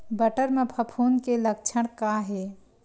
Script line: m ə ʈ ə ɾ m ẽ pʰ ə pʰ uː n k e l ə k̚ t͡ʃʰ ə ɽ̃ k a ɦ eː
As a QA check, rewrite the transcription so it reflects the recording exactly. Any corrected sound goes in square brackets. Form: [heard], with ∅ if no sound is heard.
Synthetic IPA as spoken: [b] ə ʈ ə ɾ m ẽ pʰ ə pʰ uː n k e l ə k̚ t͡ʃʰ ə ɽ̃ k a ɦ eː